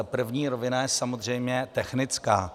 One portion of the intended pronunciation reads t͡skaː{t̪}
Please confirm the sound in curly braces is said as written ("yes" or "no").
no